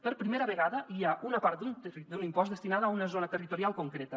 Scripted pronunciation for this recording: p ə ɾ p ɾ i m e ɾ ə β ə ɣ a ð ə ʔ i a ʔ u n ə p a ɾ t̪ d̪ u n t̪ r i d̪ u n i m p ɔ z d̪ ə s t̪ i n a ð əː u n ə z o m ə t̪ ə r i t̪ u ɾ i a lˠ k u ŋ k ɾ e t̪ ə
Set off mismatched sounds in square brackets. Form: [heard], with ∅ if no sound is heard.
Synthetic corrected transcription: p ə ɾ p ɾ i m e ɾ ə β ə ɣ a ð ə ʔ i a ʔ u n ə p a ɾ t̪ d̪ u n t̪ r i d̪ u n i m p ɔ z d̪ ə s t̪ i n a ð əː u n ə z o [n] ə t̪ ə r i t̪ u ɾ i a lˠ k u ŋ k ɾ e t̪ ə

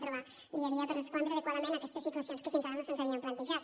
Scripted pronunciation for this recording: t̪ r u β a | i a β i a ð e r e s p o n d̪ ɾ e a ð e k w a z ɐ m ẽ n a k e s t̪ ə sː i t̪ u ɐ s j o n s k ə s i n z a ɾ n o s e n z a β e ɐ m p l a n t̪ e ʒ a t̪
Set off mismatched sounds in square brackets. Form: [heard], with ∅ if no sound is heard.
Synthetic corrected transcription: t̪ [ɾ] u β a | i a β i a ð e r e s p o n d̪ ɾ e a ð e k w a [ð] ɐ m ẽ n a k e s t̪ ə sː i t̪ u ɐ s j o n s k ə [f] i n z a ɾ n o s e n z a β [i] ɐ m p l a n t̪ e ʒ a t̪

